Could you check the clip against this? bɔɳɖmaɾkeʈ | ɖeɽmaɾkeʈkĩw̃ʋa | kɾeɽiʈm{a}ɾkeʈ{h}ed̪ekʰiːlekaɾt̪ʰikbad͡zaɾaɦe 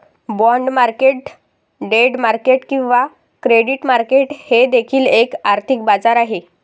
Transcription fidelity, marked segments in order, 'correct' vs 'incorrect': correct, correct

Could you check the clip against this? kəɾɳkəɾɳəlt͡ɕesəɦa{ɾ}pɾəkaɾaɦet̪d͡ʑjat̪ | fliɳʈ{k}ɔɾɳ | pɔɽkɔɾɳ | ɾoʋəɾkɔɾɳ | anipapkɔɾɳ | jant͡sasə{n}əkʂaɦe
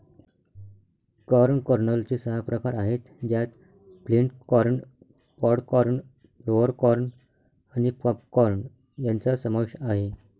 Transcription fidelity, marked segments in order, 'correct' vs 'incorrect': incorrect: none, correct, incorrect: m

